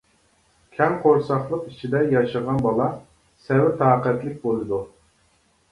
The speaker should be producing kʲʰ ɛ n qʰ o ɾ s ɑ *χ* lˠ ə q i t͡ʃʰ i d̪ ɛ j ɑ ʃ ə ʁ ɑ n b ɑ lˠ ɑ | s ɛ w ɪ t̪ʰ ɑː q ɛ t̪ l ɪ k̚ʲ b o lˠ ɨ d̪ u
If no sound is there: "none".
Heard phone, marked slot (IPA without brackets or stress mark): χ